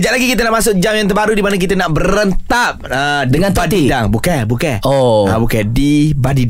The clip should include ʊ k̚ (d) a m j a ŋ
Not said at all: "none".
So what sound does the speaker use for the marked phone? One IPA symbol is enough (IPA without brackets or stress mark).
d͡ʒ